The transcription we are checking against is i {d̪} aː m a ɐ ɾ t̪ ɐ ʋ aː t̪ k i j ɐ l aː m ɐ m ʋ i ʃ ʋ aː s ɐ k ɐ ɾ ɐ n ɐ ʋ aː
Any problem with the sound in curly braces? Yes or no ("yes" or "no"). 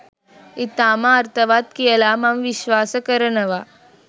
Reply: yes